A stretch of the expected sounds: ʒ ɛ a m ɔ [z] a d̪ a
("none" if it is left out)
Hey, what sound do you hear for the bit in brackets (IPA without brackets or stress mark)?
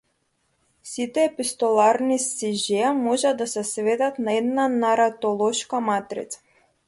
ʒ